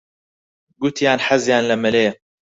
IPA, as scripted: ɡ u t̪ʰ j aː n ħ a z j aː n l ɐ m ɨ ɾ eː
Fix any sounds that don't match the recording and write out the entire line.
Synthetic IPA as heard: ɡ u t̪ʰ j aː n ħ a z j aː n l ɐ m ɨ l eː